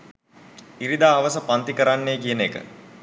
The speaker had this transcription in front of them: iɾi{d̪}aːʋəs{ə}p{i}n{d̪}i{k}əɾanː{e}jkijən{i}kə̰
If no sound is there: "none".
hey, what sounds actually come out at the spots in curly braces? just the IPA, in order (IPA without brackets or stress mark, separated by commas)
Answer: d̪, ə, a, t̪, k, e, e